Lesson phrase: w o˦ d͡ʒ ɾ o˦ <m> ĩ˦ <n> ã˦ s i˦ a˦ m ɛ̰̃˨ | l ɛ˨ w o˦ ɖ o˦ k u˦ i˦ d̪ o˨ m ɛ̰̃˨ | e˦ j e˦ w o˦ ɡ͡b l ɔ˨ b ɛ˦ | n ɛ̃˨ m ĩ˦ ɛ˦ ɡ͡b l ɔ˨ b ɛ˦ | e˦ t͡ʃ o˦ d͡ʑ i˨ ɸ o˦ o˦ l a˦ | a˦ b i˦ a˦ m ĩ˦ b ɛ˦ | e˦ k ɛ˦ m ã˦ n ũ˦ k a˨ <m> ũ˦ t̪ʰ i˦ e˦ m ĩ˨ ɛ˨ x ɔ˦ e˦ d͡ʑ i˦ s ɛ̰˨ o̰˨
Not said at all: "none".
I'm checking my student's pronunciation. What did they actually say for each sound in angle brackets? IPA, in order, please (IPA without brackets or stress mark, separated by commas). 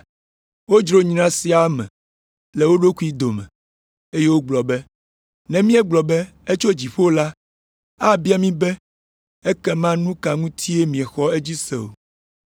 ɲ, n, ŋ